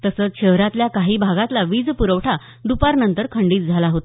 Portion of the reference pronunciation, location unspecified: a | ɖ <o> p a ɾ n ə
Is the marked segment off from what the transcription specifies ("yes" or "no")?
yes